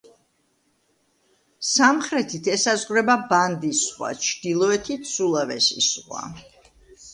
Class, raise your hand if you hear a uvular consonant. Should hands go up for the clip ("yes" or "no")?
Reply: yes